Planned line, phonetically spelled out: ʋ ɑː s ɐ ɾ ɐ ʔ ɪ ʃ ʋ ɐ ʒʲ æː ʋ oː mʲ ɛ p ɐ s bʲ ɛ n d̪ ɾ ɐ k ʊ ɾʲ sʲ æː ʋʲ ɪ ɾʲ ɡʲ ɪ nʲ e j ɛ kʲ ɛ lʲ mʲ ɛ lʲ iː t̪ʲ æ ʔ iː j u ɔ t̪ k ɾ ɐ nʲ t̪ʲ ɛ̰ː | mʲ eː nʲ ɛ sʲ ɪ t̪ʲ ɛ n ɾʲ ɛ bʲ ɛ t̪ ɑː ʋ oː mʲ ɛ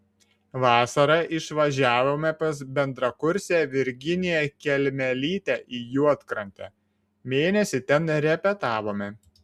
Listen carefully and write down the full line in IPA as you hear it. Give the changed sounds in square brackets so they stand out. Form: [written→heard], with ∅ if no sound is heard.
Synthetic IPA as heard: ʋ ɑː s ɐ ɾ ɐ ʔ ɪ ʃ ʋ ɐ ʒʲ æː ʋ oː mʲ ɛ p ɐ s bʲ ɛ n d̪ ɾ ɐ k ʊ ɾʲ sʲ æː ʋʲ ɪ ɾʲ ɡʲ ɪ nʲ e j ɛ kʲ ɛ lʲ mʲ ɛ lʲ iː t̪ʲ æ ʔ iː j u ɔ t̪ k ɾ ɐ nʲ t̪ʲ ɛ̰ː | mʲ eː nʲ ɛ sʲ ɪ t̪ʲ ɛ n ɾʲ ɛ [bʲ→pʲ] ɛ t̪ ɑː ʋ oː mʲ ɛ